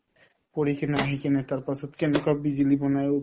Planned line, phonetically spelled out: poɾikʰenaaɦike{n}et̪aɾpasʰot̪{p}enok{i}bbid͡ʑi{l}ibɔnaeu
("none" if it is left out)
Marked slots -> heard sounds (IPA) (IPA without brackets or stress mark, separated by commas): n, k, a, l